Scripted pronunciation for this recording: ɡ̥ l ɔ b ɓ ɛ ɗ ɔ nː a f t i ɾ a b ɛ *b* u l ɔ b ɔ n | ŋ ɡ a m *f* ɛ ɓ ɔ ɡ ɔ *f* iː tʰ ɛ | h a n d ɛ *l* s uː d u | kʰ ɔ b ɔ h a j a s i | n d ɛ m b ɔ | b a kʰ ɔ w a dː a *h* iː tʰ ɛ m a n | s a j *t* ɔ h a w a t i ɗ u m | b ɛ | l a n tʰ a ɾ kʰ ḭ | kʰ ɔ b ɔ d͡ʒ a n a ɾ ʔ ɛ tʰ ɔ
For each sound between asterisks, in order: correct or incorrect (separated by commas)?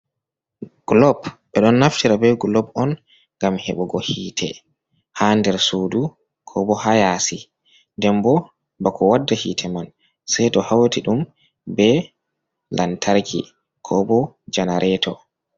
incorrect, incorrect, incorrect, incorrect, correct, correct